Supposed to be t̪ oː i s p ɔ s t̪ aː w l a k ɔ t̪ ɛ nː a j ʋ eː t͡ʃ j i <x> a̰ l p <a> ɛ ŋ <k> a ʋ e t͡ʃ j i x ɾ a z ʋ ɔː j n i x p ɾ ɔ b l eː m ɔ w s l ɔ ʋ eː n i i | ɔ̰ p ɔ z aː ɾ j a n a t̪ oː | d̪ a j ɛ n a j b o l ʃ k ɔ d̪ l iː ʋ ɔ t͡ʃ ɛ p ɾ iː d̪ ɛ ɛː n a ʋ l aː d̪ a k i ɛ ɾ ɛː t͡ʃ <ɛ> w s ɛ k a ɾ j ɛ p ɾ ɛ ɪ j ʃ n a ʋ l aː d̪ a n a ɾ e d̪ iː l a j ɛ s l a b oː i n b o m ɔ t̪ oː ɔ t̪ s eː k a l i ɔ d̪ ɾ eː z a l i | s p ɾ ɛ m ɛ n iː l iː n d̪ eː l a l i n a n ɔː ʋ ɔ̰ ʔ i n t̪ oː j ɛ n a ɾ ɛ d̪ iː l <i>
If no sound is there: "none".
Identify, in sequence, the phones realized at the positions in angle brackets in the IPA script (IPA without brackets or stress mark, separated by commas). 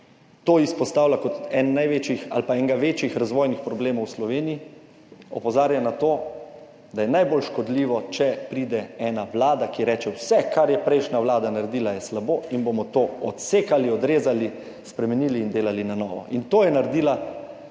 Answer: x, a, ɡ, ɛ, a